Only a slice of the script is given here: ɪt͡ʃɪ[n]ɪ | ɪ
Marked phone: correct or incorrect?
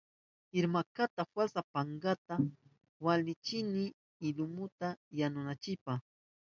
correct